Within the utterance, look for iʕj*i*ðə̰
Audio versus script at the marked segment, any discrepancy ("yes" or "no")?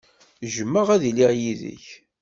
no